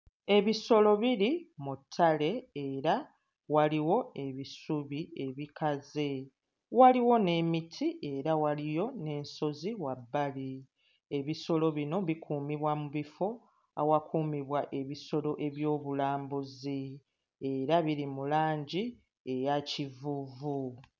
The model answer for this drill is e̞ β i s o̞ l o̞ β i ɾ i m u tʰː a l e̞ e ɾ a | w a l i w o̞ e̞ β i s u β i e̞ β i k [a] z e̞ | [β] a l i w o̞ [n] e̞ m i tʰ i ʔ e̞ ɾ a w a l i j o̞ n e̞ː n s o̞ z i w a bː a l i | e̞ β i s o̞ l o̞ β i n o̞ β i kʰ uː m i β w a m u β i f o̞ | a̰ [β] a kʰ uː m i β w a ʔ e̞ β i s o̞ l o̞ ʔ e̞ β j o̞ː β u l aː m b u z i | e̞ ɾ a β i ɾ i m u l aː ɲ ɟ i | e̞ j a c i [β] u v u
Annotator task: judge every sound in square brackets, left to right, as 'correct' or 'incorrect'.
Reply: correct, incorrect: w, correct, incorrect: w, incorrect: v

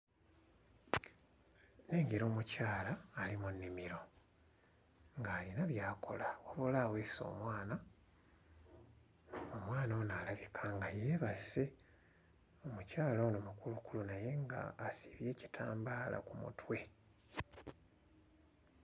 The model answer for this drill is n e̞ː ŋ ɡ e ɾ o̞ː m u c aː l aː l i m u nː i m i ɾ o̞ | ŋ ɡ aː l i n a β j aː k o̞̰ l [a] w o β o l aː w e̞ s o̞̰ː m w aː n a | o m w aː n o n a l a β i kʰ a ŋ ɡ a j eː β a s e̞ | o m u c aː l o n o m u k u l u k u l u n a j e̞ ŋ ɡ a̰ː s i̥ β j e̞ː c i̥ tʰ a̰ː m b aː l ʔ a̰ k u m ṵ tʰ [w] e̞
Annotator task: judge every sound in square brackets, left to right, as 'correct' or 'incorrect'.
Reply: correct, correct

